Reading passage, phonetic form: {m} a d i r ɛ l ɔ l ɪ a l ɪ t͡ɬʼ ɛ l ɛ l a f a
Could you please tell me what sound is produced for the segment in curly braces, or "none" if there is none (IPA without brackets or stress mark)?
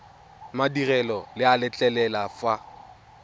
m